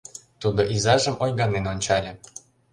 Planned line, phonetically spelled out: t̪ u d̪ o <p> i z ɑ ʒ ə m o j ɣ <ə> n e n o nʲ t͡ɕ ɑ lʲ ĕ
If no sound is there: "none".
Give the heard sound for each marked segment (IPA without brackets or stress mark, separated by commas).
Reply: ʔ, ɑ